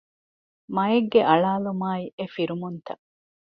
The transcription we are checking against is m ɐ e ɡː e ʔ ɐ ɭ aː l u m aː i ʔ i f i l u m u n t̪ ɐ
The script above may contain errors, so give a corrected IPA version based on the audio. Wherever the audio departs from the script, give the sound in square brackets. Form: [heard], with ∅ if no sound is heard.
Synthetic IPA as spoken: m ɐ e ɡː e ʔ ɐ ɭ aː l u m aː i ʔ [e] f i [ɾ] u m u n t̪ ɐ